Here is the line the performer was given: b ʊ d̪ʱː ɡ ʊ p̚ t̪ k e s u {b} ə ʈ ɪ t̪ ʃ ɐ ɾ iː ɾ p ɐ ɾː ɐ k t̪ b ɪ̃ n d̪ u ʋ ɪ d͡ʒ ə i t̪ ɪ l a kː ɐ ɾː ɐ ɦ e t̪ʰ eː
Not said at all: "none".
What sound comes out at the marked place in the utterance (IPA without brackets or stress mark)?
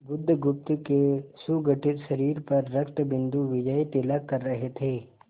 ɡ